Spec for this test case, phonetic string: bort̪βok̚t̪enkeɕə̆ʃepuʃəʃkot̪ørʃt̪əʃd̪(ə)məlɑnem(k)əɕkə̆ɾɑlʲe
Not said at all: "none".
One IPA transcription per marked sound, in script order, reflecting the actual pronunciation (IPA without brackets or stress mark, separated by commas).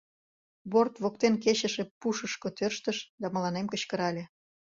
ɑ, k